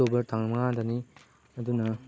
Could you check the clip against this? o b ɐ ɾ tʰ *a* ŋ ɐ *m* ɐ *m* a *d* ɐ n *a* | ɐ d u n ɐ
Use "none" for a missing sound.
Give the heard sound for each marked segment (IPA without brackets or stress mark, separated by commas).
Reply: a, m, ŋ, d, i